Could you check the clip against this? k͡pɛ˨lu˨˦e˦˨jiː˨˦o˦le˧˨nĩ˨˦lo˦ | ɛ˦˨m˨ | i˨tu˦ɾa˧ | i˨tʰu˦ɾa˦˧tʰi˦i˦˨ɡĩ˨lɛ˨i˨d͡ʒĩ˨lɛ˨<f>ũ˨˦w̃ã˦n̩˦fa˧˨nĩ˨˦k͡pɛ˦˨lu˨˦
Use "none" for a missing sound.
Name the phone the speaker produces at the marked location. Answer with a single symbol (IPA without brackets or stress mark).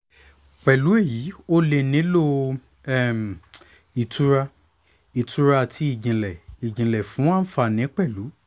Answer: f